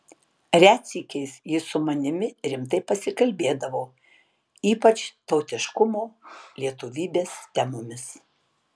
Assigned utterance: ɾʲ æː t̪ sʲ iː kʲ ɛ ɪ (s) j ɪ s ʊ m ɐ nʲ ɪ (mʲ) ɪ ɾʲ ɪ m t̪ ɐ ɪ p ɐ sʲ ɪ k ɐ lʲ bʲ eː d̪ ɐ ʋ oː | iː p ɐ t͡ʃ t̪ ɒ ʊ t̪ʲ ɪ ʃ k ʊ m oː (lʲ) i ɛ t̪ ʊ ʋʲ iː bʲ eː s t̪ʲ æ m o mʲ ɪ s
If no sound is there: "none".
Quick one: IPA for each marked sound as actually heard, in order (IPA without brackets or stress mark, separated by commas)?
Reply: s, mʲ, lʲ